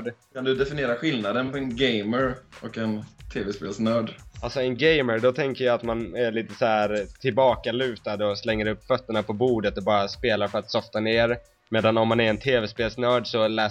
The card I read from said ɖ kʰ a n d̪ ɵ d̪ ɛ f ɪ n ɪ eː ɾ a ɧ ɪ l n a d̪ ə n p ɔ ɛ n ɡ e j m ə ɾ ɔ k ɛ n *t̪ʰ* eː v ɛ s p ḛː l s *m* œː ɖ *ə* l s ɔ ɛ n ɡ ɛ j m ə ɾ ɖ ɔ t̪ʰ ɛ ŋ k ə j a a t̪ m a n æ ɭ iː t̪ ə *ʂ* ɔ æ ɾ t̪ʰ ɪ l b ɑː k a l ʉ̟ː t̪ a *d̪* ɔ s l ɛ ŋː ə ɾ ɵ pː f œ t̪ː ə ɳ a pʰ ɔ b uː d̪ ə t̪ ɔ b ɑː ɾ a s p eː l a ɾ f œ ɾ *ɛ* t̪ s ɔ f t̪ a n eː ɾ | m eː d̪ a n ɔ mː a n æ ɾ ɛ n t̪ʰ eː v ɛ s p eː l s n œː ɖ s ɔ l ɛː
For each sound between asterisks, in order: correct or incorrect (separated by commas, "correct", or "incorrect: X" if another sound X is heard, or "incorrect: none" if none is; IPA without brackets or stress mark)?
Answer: correct, incorrect: n, incorrect: a, incorrect: s, correct, incorrect: a